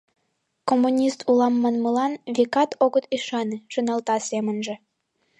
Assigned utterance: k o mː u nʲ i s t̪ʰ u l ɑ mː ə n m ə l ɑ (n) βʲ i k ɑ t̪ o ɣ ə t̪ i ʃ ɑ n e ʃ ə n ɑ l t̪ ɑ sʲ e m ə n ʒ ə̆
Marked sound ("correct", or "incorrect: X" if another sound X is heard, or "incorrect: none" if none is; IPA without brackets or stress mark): correct